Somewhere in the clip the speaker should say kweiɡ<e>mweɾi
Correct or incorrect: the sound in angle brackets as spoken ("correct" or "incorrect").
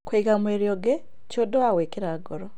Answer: incorrect